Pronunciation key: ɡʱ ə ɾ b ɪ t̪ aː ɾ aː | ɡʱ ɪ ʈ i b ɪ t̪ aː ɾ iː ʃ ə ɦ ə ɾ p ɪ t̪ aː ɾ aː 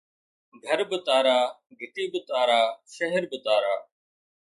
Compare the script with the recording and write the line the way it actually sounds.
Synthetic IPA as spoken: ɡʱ ə ɾ b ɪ t̪ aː ɾ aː | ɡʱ ɪ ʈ iː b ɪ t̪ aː ɾ aː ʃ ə ɦ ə ɾ b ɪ t̪ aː ɾ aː